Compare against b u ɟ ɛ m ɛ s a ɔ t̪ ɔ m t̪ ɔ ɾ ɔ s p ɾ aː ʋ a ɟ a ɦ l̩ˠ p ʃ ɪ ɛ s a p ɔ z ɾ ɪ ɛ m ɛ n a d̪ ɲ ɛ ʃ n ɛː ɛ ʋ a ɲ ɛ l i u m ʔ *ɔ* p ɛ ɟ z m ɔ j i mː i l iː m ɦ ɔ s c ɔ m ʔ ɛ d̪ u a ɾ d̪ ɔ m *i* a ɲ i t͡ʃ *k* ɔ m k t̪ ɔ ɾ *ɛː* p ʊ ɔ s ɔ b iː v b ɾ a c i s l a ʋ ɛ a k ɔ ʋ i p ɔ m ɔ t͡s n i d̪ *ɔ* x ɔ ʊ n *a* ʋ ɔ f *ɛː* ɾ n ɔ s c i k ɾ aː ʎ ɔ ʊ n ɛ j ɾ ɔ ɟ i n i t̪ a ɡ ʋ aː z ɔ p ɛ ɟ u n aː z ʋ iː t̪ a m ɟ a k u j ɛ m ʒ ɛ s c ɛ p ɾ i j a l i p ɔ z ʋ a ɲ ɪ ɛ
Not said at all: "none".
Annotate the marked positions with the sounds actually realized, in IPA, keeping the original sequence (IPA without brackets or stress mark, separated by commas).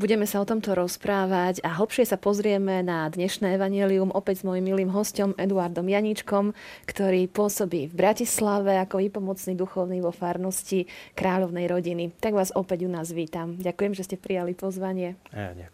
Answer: ɔ, j, k, iː, u, i, aː